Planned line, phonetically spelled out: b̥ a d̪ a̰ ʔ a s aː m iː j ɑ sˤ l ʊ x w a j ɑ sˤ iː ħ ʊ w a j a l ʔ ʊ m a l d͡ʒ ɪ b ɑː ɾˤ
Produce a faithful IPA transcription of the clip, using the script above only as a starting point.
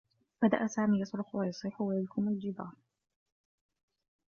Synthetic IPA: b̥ a d̪ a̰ ʔ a s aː m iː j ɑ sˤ ɾ ʊ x w a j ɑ sˤ iː ħ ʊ w a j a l k ʊ m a l d͡ʒ ɪ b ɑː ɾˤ